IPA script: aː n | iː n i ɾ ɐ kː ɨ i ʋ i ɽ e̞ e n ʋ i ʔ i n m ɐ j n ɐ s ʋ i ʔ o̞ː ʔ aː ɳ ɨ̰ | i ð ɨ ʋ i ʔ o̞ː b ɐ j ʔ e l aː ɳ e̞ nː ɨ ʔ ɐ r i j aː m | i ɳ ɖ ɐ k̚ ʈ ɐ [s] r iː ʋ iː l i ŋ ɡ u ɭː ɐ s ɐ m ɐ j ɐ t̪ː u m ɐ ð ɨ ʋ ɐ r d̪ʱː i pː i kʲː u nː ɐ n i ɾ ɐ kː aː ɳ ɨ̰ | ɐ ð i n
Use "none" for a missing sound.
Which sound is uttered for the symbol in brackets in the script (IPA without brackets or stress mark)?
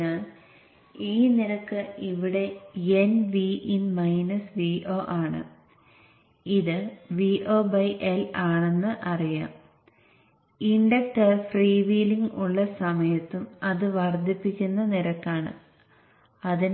f